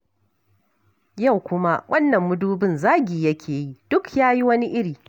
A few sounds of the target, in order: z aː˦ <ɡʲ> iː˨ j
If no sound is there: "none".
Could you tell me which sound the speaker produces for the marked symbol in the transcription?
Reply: ɡʲ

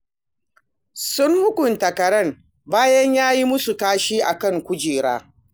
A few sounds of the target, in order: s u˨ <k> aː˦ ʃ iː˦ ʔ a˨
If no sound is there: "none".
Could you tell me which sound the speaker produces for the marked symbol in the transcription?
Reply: k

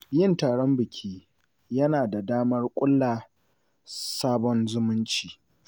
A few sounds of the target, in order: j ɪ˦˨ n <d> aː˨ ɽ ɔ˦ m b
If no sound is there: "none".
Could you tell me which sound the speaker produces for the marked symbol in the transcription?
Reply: t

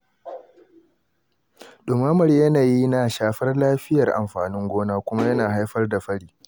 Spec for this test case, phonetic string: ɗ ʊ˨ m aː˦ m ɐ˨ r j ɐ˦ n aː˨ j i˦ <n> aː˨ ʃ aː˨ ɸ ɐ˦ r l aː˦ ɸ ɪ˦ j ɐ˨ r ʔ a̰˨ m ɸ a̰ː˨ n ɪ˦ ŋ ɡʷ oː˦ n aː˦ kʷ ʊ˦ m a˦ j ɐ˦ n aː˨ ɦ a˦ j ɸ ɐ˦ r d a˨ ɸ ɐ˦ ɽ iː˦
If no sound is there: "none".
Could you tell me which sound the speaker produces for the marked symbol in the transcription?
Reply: n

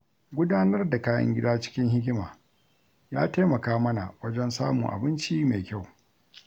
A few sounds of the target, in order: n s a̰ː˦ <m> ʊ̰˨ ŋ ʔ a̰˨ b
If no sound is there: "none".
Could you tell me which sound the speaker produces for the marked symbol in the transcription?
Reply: m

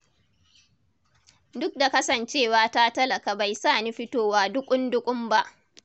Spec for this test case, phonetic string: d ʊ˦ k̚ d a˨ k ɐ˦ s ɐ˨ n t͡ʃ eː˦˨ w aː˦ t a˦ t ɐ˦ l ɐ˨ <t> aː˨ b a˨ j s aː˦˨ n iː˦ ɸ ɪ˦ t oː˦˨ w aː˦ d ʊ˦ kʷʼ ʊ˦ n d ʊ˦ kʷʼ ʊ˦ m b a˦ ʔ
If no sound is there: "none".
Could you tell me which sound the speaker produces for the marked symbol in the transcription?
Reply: k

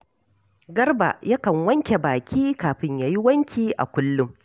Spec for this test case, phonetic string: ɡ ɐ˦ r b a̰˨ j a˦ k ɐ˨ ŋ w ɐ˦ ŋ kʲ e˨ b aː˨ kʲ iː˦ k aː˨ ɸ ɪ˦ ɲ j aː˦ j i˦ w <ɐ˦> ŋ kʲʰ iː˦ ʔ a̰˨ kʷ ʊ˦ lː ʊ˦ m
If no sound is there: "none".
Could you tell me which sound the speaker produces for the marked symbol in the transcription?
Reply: ɐ˦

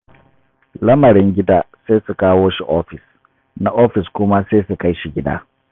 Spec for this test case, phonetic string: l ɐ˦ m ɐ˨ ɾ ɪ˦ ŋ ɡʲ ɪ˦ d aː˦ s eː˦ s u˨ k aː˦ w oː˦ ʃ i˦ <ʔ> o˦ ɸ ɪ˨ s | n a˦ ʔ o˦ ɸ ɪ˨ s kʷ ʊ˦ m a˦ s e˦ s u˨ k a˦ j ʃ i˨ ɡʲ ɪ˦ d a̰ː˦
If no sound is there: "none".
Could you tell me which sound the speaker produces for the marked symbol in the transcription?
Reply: ʔ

